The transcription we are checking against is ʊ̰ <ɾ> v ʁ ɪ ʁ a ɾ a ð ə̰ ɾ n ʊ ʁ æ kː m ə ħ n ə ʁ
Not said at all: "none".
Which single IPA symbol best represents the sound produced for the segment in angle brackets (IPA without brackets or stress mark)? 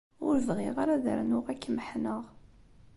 ɾ